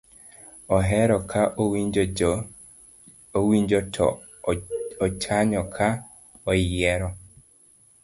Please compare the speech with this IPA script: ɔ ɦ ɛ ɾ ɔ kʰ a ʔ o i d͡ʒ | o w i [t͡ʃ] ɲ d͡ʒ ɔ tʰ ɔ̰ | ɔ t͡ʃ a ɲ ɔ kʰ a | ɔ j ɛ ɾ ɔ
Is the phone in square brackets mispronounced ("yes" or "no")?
yes